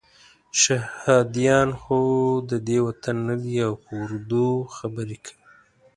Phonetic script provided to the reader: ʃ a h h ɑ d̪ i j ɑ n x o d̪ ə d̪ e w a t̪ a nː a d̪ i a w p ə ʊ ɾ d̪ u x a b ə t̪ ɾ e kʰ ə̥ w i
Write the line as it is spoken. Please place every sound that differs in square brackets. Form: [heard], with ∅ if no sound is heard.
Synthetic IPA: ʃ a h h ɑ d̪ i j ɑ n x o d̪ ə d̪ e w a t̪ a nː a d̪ i a w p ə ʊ ɾ d̪ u x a b ə [∅] ɾ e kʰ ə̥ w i